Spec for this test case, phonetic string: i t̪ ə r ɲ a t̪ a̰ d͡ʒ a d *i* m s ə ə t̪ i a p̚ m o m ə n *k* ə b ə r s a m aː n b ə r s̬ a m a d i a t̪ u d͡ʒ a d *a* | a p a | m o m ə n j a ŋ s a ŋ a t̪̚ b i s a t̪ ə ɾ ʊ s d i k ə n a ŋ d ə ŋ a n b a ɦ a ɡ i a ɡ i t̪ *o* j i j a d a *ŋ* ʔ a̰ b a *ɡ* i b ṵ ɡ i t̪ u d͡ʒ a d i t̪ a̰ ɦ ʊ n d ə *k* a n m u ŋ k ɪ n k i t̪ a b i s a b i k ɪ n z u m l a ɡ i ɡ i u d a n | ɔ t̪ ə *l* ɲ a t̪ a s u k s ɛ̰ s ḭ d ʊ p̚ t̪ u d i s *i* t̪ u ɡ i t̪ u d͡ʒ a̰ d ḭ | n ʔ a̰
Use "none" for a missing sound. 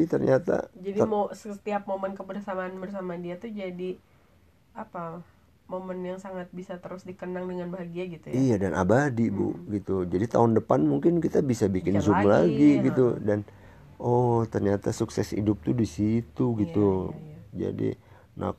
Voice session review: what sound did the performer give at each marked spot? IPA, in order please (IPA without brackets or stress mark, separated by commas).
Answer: i, k, i, u, n, d, p, r, i